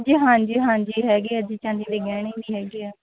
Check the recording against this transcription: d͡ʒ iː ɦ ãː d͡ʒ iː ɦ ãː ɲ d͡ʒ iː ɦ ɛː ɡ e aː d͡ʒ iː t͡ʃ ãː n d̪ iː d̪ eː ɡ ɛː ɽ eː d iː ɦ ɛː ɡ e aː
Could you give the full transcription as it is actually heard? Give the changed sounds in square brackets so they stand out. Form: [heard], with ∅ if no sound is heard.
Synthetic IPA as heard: d͡ʒ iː ɦ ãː d͡ʒ iː ɦ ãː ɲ d͡ʒ iː ɦ ɛː ɡ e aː d͡ʒ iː t͡ʃ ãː n d̪ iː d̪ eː ɡ ɛː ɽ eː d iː ɦ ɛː ɡ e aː